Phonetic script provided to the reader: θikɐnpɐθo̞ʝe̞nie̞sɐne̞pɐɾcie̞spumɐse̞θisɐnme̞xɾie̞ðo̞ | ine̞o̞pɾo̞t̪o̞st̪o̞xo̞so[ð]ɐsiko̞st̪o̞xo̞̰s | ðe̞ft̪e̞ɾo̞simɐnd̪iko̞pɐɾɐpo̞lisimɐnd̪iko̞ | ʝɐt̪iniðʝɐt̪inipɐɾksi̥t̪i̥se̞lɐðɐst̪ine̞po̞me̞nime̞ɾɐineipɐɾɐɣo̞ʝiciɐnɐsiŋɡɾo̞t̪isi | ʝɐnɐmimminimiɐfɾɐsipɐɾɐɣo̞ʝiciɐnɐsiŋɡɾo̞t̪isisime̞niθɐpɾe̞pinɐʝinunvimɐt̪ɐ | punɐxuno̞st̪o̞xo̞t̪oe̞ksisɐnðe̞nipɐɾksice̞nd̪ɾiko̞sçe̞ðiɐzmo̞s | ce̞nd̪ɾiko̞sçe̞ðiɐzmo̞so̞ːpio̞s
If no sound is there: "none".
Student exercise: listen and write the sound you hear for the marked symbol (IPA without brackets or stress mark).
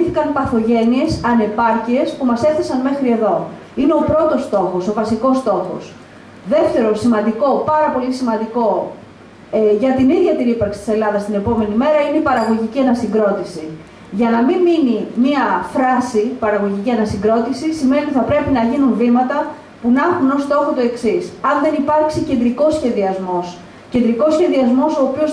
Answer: v